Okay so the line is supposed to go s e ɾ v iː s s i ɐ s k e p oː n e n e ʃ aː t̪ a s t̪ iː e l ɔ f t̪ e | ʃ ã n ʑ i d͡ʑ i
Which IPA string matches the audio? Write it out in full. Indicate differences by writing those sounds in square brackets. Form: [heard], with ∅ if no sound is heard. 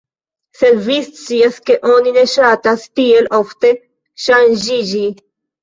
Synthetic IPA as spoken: s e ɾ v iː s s i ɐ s k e [ʔ] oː n [i] n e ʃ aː t̪ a s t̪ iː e l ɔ f t̪ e | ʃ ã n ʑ i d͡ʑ i